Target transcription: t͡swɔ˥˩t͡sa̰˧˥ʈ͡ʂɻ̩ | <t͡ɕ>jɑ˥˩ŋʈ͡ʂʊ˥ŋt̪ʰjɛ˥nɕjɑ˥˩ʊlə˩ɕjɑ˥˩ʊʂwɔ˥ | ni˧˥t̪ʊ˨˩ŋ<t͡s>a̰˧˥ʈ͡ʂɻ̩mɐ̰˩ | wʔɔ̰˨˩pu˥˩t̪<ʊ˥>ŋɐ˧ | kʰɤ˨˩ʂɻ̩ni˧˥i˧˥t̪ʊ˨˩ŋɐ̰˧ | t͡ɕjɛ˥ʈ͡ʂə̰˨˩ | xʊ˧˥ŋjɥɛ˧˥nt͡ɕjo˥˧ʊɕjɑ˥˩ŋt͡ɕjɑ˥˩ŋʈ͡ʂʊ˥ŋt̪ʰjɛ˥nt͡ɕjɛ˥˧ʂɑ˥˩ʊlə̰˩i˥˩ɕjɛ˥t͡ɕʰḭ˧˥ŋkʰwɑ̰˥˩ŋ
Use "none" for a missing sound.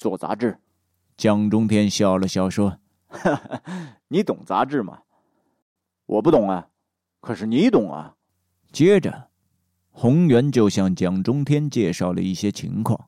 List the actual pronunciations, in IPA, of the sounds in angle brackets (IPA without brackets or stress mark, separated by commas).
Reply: t͡ɕ, t͡s, ʊ˨˩˦